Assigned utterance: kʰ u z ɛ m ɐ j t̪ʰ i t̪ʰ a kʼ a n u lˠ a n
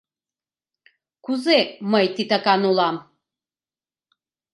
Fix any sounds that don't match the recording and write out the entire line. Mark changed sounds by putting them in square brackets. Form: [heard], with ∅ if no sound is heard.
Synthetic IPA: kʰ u z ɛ m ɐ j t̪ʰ i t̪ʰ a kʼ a n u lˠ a [m]